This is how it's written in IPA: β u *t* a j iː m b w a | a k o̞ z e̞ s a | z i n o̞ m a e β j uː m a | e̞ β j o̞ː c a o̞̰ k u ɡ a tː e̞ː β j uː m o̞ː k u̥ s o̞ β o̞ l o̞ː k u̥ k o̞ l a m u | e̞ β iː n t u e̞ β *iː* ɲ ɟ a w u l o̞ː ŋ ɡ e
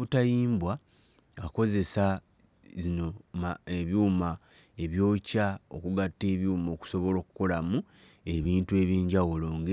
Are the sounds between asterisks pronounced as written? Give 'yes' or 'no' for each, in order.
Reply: yes, yes

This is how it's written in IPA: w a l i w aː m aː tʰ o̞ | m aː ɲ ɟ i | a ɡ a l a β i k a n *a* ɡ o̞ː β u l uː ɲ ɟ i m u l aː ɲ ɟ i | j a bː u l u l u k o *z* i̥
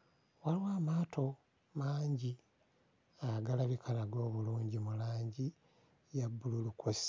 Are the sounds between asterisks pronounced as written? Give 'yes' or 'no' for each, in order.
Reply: yes, no

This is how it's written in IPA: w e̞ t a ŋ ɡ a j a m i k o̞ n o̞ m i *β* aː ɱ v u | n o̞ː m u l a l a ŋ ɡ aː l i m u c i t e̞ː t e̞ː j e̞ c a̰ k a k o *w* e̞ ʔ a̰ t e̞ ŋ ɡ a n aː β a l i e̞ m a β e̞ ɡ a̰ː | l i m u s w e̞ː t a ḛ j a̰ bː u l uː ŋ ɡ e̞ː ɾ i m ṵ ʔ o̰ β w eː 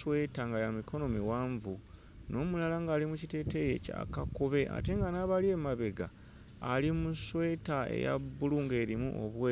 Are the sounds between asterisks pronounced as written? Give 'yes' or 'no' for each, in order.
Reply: no, no

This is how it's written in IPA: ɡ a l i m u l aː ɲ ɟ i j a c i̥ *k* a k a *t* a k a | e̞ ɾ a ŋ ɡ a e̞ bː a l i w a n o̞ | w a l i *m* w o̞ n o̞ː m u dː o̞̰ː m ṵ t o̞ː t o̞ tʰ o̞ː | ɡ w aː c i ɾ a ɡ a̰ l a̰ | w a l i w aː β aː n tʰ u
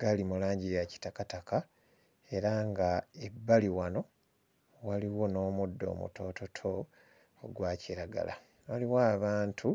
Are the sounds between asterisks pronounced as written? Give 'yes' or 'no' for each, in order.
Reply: no, yes, no

